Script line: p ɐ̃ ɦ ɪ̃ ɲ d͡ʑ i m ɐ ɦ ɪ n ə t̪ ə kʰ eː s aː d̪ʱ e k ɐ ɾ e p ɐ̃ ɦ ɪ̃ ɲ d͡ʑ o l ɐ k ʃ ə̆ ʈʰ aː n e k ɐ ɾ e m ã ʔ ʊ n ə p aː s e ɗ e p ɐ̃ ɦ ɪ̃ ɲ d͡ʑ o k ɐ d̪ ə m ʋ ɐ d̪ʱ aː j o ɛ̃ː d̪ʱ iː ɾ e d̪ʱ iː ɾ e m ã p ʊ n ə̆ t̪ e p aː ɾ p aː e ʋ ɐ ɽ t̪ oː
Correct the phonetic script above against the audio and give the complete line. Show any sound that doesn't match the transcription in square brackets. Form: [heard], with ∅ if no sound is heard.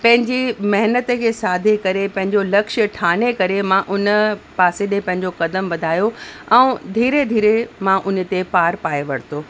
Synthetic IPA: p ɐ̃ ɦ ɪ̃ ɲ d͡ʑ i m ɐ ɦ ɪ n ə t̪ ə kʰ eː s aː d̪ʱ e k ɐ ɾ e p ɐ̃ ɦ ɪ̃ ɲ d͡ʑ o l ɐ k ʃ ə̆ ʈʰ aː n e k ɐ ɾ e m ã ʔ ʊ n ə p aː s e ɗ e p ɐ̃ ɦ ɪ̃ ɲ d͡ʑ o k ɐ d̪ ə m ʋ ɐ d̪ʱ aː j o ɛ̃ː d̪ʱ iː ɾ e d̪ʱ iː ɾ e m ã [ʔ] ʊ n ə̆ t̪ e p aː ɾ p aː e ʋ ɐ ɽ t̪ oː

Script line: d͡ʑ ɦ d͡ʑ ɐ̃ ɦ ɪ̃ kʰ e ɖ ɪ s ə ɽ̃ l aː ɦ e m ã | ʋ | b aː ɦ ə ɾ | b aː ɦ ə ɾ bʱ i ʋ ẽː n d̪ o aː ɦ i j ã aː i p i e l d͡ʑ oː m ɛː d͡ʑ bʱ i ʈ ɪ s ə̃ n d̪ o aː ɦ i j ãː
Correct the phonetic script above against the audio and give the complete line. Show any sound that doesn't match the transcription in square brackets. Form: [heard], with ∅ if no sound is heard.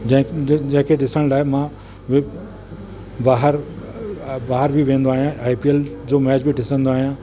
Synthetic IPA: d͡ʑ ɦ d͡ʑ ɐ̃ ɦ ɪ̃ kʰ e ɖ ɪ s ə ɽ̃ l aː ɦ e m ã | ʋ | b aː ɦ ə ɾ | b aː ɦ ə ɾ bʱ i ʋ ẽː n d̪ o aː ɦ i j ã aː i p i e l d͡ʑ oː m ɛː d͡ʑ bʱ i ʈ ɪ s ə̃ n d̪ o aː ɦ i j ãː

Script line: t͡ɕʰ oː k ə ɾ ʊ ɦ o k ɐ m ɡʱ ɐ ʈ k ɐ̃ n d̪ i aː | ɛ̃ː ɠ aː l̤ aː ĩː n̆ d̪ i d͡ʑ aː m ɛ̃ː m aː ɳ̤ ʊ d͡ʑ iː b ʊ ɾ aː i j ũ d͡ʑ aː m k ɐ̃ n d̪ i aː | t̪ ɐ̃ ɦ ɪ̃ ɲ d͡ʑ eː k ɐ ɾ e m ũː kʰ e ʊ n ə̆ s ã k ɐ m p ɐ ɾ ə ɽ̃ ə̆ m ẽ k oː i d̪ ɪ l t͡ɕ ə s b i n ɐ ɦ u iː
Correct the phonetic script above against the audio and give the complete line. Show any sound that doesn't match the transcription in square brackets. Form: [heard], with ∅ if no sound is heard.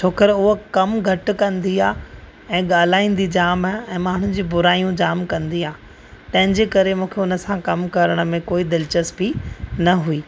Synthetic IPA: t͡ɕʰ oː k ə ɾ ʊ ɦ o k ɐ m ɡʱ ɐ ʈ k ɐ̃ n d̪ i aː | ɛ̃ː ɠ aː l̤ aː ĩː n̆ d̪ i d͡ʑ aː m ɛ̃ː m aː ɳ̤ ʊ d͡ʑ iː b ʊ ɾ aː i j ũ d͡ʑ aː m k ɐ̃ n d̪ i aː | t̪ ɐ̃ ɦ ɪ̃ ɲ d͡ʑ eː k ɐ ɾ e m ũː kʰ e ʊ n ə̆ s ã k ɐ m [k] ɐ ɾ ə ɽ̃ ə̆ m ẽ k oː i d̪ ɪ l t͡ɕ ə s b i n ɐ ɦ u iː

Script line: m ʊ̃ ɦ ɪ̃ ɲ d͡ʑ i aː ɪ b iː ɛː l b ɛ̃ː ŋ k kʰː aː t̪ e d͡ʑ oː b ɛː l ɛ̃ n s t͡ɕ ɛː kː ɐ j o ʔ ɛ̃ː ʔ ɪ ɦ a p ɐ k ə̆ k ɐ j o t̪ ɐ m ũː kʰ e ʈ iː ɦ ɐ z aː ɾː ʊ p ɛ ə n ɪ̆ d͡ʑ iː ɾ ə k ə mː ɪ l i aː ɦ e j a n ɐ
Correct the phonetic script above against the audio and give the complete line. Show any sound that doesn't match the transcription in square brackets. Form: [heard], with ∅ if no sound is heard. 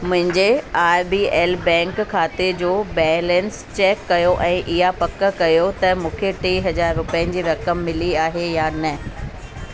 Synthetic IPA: m ʊ̃ ɦ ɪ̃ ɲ d͡ʑ [e] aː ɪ b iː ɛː l b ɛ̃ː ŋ k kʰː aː t̪ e d͡ʑ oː b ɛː l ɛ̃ n s t͡ɕ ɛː kː ɐ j o ʔ ɛ̃ː ʔ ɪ ɦ a p ɐ k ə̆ k ɐ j o t̪ ɐ m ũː kʰ e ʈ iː ɦ ɐ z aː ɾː ʊ p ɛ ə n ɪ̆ d͡ʑ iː ɾ [ɐ] k ə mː ɪ l i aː ɦ e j a n ɐ

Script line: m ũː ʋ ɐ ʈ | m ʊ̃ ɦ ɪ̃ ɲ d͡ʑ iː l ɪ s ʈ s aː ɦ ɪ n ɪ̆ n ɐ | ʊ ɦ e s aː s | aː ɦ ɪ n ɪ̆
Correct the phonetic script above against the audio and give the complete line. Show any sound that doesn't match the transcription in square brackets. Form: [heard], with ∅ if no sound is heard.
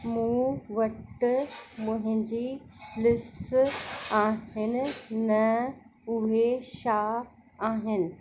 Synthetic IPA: m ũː ʋ ɐ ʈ | m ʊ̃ ɦ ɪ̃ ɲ d͡ʑ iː l ɪ s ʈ s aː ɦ ɪ n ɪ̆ n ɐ | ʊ ɦ e [ʃ] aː [∅] | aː ɦ ɪ n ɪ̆

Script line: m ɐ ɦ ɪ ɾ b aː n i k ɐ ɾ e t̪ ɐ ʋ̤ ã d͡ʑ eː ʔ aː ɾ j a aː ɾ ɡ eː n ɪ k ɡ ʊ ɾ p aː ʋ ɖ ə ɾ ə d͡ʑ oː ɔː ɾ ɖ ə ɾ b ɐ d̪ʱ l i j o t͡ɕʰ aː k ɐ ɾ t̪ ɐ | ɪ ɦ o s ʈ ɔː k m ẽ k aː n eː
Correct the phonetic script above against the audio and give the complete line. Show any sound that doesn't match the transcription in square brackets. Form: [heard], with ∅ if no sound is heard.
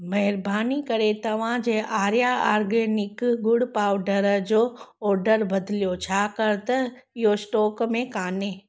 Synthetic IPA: m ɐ ɦ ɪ ɾ b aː n i k ɐ ɾ e t̪ ɐ ʋ̤ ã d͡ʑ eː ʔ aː ɾ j a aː ɾ ɡ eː n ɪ k ɡ ʊ [ɽ] p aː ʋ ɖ ə ɾ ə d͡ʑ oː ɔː ɾ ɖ ə ɾ b ɐ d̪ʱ l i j o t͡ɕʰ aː k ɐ ɾ t̪ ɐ | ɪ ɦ o s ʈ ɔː k m ẽ k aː n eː

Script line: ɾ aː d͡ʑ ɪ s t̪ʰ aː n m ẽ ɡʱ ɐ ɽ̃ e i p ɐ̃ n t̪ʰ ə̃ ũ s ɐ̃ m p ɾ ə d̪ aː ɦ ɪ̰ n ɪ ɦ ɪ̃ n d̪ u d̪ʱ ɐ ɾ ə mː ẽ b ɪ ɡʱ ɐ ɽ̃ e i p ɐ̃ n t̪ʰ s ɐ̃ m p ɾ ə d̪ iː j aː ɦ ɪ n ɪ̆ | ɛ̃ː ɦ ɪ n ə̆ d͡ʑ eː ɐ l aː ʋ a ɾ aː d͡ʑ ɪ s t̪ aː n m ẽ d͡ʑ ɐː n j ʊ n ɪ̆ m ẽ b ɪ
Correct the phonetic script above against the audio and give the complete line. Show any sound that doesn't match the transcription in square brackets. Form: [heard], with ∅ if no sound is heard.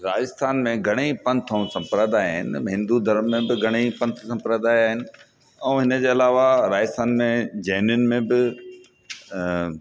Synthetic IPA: ɾ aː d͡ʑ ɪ s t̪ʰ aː n m ẽ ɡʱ ɐ ɽ̃ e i p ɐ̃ n t̪ʰ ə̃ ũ s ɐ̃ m p ɾ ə d̪ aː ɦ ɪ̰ n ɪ ɦ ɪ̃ n d̪ u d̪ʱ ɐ ɾ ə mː ẽ b ɪ ɡʱ ɐ ɽ̃ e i p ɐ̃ n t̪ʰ s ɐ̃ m p ɾ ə d̪ [aː] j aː ɦ ɪ n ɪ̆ | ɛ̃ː ɦ ɪ n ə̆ d͡ʑ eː ɐ l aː ʋ a ɾ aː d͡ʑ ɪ s t̪ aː n m ẽ d͡ʑ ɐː n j ʊ n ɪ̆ m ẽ b ɪ

